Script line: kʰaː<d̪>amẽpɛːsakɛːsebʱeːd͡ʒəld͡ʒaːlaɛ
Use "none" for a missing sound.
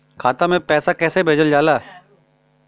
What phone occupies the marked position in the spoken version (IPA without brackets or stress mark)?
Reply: t̪